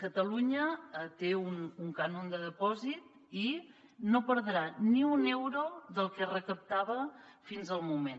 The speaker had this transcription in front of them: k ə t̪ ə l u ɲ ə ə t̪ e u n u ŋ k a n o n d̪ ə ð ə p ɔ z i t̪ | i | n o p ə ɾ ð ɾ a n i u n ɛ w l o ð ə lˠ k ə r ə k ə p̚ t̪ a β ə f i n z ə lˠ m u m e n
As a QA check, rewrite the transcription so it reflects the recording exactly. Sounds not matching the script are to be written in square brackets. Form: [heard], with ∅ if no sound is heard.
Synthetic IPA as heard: k ə t̪ ə l u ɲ ə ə t̪ e u n u ŋ k a n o n d̪ ə ð ə p ɔ z i t̪ | i | n o p ə ɾ ð ɾ a n i u n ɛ w [ɾ] o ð ə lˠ k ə r ə k ə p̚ t̪ a β ə f i n z ə lˠ m u m e n

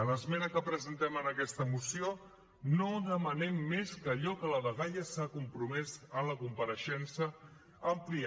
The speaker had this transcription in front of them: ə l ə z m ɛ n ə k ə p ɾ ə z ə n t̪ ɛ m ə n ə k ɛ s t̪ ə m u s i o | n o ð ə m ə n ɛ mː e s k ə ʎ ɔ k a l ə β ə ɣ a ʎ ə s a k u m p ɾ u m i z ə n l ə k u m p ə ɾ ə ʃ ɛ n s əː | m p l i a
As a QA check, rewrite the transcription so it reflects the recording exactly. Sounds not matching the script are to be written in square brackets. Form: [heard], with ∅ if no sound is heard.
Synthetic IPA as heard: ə l ə z m ɛ n ə k ə p ɾ ə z ə n t̪ ɛ m ə n ə k ɛ s t̪ ə m u s i o | n o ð ə m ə n ɛ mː e s k ə ʎ ɔ k [ə] l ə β ə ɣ a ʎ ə s a k u m p ɾ u m [ɛ] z ə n l ə k u m p ə ɾ ə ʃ ɛ n s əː | m p l i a

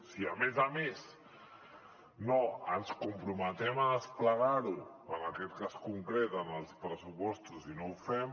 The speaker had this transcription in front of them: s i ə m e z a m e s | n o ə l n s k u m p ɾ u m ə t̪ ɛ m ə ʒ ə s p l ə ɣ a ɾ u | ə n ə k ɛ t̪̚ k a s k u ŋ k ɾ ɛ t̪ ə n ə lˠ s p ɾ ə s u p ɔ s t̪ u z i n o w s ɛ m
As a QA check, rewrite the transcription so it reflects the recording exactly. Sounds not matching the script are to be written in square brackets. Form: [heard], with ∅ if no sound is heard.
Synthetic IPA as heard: s i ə m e z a m e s | n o ə [∅] n s k u m p ɾ u m ə t̪ ɛ m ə [ð] ə s p l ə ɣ a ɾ u | ə n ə k ɛ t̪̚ k a s k u ŋ k ɾ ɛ t̪ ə n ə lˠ s p ɾ ə s u p ɔ s t̪ u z i n o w [f] ɛ m

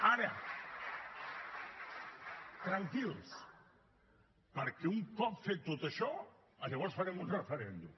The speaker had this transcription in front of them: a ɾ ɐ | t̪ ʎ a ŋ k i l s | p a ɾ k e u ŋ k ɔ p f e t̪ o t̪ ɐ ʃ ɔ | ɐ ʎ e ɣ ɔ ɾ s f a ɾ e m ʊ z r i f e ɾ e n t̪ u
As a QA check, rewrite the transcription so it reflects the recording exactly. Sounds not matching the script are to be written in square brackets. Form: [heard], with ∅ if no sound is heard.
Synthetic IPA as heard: a ɾ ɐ | t̪ [ɾ] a ŋ k i l s | p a ɾ k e u ŋ k ɔ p f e t̪ o t̪ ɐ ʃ ɔ | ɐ ʎ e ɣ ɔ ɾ s f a ɾ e m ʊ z r [e] f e ɾ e n [d̪] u

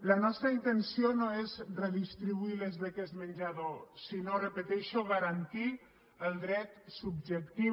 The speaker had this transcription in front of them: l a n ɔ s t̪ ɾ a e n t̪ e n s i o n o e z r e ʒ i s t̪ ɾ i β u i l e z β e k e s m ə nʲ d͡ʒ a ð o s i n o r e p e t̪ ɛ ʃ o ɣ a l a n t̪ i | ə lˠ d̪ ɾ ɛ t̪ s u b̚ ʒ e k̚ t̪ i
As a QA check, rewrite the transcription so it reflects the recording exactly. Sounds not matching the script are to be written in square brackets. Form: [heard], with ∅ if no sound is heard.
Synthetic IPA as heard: l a n ɔ s t̪ ɾ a [i] n t̪ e n s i o n o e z r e [ð] i s t̪ ɾ i β u i l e z β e k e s m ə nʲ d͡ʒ a ð o s i n o r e p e t̪ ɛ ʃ o ɣ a [ɾ] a n t̪ i | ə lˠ d̪ ɾ ɛ t̪ s u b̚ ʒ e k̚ t̪ i

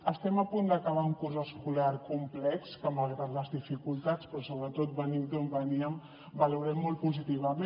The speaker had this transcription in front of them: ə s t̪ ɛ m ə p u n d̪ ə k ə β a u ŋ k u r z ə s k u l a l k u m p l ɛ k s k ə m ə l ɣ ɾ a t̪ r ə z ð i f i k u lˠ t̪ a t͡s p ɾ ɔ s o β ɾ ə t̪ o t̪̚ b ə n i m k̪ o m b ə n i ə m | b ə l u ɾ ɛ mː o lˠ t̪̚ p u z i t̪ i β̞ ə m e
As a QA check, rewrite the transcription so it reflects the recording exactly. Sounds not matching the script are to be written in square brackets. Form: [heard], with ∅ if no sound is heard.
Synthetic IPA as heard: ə s t̪ ɛ m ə p u n d̪ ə k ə β a u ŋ k u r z ə s k u l a [ɾ] k u m p l ɛ k s k ə m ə l ɣ ɾ a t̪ [l] ə z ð i f i k u lˠ t̪ a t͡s p ɾ ɔ s o β ɾ ə t̪ o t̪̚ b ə n i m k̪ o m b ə n i ə m | b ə l u ɾ ɛ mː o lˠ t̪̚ p u z i t̪ i β̞ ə m e

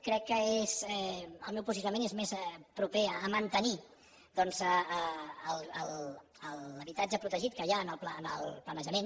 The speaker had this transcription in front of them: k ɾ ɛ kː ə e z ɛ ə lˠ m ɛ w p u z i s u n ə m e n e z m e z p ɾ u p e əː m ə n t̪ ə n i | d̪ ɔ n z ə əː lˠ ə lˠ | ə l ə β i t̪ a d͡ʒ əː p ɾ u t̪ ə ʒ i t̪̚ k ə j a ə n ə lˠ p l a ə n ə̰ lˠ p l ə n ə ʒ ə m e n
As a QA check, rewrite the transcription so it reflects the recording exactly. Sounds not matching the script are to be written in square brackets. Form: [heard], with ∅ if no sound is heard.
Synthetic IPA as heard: k ɾ ɛ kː ə e z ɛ ə lˠ m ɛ w p u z i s u n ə m e n e z m e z p ɾ u p e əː m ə n t̪ ə n i | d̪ ɔ n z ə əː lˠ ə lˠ | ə l ə β i t̪ a d͡ʒ [ə] p ɾ u t̪ ə ʒ i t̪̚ k ə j a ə n ə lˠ p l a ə n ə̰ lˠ p l ə n ə ʒ ə m e n

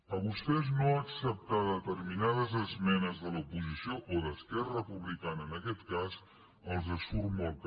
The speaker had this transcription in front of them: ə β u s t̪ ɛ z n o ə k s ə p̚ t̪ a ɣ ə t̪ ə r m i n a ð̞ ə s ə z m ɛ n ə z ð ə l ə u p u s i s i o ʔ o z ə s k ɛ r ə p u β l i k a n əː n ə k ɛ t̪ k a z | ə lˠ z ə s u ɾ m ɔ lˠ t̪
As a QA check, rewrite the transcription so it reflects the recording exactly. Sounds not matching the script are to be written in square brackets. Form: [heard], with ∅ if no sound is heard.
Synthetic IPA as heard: ə β u s t̪ ɛ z n o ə k s ə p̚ t̪ a [ð] ə t̪ ə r m i n a ð̞ ə [z] ə z m ɛ n ə z ð ə l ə u p u [z] i s i o ʔ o [ð] ə s k ɛ r ə p u β l i k a n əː n ə k ɛ t̪ k a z | ə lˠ z ə s u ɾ m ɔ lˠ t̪

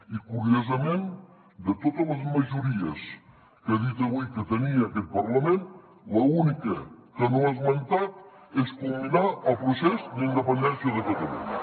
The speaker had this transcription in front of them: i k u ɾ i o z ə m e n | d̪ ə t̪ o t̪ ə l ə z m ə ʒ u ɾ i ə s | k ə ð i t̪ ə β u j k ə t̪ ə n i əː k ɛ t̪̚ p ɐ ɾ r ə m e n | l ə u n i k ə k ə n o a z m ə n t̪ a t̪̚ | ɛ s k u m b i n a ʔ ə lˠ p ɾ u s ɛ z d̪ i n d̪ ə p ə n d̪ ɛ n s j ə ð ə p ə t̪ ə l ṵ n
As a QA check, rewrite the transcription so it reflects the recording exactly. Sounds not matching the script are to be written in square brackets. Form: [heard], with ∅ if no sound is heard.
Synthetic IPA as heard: i k u ɾ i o z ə m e n | d̪ ə t̪ o t̪ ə l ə z m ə ʒ u ɾ i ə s | k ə ð i t̪ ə β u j k ə t̪ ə n i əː k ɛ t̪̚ p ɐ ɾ [l] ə m e n | l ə u n i k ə k ə n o a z m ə n t̪ a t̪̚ | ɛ s k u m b i n a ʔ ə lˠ p ɾ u s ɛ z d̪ i n d̪ ə p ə n d̪ ɛ n s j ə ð ə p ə t̪ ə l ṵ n

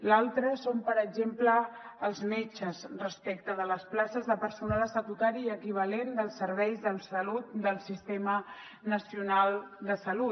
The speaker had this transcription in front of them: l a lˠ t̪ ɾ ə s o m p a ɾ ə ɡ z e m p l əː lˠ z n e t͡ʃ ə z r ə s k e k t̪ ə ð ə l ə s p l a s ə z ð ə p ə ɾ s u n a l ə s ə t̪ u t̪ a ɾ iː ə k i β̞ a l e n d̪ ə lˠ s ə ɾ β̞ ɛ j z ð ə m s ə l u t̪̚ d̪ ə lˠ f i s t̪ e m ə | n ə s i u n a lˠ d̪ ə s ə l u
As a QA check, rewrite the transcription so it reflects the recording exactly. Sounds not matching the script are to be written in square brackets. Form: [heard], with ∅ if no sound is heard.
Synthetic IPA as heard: l a lˠ t̪ ɾ ə s o m p [ə] ɾ ə ɡ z e m p l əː lˠ z [m] e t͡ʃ ə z r ə s [p] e k t̪ ə ð ə l ə s p l a s ə z ð ə p ə ɾ s u n a l ə s ə t̪ u t̪ a ɾ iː ə k i β̞ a l e n d̪ ə lˠ s ə ɾ β̞ ɛ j z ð ə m s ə l u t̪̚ d̪ ə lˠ [s] i s t̪ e m ə | n ə s i u n a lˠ d̪ ə s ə l u

